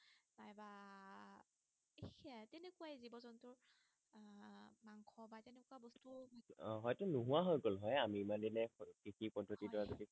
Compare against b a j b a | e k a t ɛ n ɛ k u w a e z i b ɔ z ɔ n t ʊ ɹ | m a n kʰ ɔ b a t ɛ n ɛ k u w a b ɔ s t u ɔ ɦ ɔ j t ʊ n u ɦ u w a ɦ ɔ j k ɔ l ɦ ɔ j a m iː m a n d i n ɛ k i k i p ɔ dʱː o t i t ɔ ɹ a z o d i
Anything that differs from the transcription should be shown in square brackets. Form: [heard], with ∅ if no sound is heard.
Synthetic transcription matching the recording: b a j b a | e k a t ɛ n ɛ k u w a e z i b ɔ z ɔ n t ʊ ɹ | m a [ŋ] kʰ ɔ b a t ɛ n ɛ k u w a b ɔ s t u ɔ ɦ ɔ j t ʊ n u ɦ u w a ɦ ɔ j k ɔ l ɦ ɔ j a m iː m a n d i n ɛ k i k i p ɔ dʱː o t i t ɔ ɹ a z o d i